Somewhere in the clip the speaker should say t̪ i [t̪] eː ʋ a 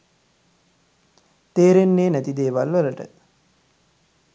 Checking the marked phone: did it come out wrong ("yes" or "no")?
yes